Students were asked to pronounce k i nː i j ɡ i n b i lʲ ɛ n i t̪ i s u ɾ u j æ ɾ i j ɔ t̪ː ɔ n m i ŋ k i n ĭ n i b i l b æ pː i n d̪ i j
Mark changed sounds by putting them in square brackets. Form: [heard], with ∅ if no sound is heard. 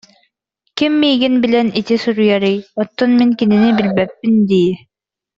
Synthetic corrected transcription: k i [mː] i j ɡ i n b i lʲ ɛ n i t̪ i s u ɾ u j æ ɾ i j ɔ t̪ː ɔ n m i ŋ k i n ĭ n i b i l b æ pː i n d̪ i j